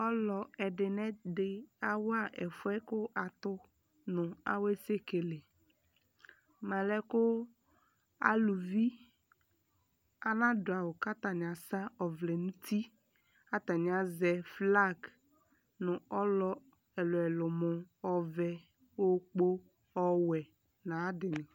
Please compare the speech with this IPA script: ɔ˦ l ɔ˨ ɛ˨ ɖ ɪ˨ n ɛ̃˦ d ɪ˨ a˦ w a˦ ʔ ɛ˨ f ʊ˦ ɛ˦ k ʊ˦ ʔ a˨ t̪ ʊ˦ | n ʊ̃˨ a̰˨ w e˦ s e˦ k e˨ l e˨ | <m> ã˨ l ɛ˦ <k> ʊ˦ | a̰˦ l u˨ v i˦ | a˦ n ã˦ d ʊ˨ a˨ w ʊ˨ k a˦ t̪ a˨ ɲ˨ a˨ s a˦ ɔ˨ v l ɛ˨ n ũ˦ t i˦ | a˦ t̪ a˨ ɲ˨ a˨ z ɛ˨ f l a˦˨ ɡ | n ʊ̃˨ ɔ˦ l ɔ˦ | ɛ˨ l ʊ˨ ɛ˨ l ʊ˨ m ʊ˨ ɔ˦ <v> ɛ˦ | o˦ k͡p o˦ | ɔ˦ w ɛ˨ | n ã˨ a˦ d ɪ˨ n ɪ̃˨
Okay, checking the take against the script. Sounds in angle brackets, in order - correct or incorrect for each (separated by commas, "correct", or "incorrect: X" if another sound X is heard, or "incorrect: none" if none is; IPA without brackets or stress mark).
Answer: correct, correct, correct